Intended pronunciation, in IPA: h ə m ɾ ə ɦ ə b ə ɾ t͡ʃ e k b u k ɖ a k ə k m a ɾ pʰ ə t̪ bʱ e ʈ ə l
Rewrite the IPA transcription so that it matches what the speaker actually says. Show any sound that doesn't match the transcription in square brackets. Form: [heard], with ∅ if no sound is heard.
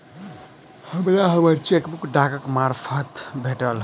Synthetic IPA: h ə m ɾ [a] ɦ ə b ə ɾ t͡ʃ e k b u k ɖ a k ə k m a ɾ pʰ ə t̪ bʱ e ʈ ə l